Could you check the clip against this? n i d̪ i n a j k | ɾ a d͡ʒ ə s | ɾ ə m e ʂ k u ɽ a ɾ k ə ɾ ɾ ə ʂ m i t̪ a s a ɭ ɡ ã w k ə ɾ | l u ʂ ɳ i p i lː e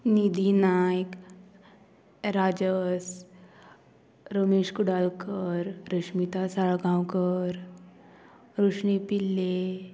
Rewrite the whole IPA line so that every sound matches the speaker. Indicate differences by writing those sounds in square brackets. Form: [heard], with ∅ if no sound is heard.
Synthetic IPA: n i d̪ i n a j k | ɾ a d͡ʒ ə s | ɾ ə m e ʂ k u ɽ a [l] k ə ɾ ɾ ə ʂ m i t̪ a s a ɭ ɡ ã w k ə ɾ | [ɾ] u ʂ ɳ i p i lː e